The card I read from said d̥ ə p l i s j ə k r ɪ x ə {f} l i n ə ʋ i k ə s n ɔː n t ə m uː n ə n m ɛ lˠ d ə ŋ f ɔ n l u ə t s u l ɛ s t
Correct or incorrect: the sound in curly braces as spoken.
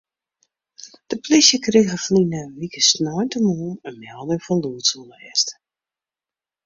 correct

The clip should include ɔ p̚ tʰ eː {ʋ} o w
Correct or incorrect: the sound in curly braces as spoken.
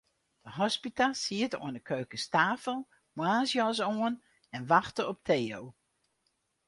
incorrect: none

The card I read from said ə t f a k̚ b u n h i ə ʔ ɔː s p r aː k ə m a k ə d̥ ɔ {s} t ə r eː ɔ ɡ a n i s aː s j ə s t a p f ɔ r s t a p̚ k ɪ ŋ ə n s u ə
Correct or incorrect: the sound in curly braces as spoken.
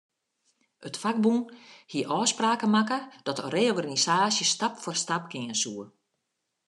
incorrect: none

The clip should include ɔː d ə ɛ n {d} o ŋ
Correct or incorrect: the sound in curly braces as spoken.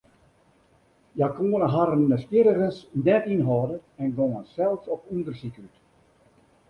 incorrect: ɡ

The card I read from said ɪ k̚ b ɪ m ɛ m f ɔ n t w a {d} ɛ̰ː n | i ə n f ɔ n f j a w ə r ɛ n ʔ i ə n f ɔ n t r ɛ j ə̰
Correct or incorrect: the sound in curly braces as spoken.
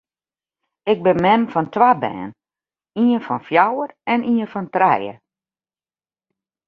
incorrect: b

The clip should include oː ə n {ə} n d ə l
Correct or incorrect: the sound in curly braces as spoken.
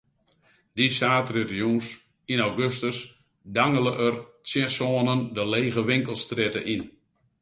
correct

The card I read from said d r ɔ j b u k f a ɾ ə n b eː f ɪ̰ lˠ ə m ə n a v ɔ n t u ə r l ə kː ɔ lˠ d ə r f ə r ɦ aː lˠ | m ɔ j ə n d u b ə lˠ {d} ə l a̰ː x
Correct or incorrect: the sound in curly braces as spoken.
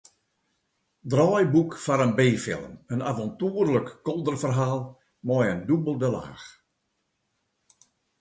correct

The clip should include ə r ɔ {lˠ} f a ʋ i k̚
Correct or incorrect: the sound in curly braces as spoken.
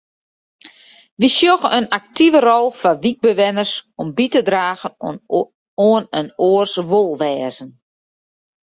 correct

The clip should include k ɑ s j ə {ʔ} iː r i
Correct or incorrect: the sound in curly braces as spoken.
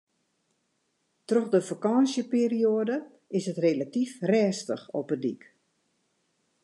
incorrect: p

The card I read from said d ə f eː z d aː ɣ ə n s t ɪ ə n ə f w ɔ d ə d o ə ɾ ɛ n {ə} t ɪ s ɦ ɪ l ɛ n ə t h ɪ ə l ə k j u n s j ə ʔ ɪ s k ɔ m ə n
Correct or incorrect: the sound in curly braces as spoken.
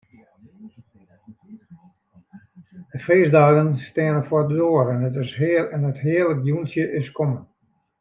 correct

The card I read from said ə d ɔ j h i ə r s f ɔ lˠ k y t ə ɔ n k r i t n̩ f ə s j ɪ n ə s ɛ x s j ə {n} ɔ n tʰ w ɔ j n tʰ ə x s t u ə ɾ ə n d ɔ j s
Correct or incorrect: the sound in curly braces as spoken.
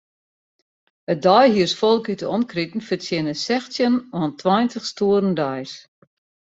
correct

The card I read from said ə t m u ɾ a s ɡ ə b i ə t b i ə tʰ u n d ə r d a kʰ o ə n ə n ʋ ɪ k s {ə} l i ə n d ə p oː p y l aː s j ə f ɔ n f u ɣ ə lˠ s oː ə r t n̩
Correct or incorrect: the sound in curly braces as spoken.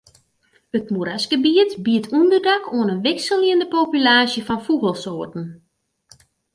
correct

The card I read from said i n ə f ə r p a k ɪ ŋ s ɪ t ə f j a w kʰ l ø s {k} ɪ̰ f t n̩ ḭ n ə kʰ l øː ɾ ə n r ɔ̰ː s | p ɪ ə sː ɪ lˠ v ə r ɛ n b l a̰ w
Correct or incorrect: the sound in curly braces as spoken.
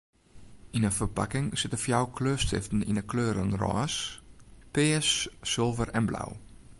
incorrect: t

